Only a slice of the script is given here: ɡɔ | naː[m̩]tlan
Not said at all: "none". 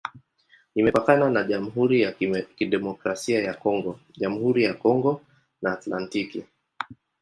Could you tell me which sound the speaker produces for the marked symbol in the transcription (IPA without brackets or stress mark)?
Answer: none